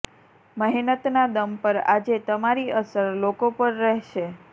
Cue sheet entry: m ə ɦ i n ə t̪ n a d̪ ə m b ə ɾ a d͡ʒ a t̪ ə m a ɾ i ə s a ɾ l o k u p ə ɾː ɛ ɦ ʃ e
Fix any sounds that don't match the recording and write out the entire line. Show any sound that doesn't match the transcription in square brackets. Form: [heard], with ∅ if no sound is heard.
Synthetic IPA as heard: m ə ɦ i n ə t̪ n a d̪ ə m [p] ə ɾ a d͡ʒ [e] t̪ ə m a ɾ i ə s [ə] ɾ l o k [o] p ə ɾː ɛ ɦ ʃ e